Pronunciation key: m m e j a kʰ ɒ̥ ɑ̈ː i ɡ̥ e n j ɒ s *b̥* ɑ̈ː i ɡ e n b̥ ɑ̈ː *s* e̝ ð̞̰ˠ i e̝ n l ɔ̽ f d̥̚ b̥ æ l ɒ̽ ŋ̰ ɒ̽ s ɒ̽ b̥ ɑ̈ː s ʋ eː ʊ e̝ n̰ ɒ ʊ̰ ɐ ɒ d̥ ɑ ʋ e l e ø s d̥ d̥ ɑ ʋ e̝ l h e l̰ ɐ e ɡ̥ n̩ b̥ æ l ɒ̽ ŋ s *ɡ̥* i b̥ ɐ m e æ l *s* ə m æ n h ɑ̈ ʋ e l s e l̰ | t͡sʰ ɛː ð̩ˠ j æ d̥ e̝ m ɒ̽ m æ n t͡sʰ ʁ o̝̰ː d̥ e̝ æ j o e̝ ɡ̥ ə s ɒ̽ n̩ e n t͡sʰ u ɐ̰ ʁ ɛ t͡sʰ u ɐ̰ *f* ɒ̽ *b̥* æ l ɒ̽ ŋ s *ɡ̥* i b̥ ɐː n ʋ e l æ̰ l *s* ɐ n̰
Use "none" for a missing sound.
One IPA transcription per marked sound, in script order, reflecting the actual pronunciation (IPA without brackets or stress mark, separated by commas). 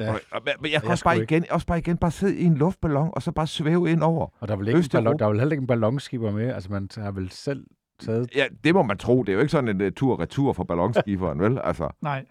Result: b̥, s, ɡ̥, s, f, b̥, ɡ̥, s